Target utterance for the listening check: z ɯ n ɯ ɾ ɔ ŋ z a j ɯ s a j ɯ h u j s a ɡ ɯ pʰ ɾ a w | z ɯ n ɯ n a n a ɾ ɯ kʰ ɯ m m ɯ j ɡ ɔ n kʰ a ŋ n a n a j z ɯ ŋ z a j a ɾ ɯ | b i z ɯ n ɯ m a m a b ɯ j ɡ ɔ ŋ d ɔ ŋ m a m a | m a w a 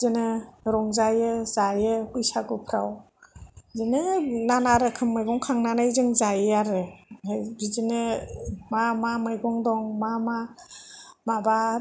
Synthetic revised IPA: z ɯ n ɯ ɾ ɔ ŋ z a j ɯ z a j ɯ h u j s a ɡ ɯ pʰ ɾ a w | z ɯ n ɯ n a n a ɾ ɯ kʰ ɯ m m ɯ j ɡ ɔ ŋ kʰ a ŋ n a n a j z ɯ ŋ z a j a ɾ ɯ | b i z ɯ n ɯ m a m a m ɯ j ɡ ɔ ŋ d ɔ ŋ m a m a | m a b a